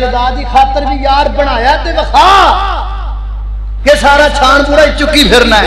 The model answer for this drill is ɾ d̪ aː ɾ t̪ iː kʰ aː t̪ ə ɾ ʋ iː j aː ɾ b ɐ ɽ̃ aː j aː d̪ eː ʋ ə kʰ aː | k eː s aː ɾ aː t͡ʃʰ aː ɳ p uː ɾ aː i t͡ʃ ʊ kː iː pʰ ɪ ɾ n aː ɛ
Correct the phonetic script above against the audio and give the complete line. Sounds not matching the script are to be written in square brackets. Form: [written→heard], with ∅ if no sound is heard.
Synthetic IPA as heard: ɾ d̪ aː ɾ [t̪→d̪] iː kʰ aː t̪ ə ɾ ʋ iː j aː ɾ b [ɐ→ə] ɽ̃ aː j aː [d̪→t̪] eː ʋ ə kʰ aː | k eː s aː ɾ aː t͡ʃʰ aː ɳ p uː ɾ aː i t͡ʃ ʊ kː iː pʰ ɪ ɾ n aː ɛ